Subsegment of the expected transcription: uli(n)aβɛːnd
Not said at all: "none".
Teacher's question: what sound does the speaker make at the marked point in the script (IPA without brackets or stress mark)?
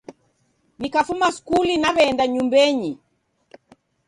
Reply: n